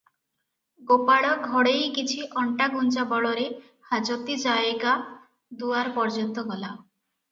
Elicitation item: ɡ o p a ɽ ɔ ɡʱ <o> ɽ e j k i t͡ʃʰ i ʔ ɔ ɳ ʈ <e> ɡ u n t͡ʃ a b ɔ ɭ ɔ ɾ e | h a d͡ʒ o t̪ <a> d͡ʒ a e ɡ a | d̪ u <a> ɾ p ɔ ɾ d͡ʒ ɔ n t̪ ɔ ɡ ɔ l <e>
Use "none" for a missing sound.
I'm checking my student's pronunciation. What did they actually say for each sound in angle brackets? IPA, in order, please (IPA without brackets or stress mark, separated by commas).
ɔ, a, i, a, a